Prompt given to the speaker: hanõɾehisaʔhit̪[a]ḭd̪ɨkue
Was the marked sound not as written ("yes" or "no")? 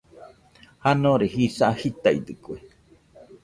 no